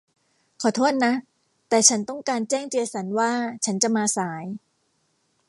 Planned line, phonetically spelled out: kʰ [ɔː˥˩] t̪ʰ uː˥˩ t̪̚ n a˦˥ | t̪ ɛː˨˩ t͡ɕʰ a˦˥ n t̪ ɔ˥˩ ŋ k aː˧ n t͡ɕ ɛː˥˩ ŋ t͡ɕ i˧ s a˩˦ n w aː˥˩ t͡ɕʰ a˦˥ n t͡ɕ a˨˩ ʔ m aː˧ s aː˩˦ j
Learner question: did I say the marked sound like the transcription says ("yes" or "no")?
no